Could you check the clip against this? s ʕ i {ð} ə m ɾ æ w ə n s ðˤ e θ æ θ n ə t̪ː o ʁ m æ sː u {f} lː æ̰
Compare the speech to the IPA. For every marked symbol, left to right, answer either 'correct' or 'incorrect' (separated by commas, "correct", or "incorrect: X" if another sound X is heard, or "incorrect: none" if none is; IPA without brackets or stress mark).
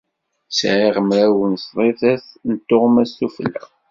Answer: incorrect: ʁ, correct